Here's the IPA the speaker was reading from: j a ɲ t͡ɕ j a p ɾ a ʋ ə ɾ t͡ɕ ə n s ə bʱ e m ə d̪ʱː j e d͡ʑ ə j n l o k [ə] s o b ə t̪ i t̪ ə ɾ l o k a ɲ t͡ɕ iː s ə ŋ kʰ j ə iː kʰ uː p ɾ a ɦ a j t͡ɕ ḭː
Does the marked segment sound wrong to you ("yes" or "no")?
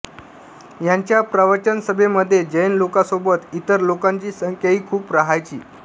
yes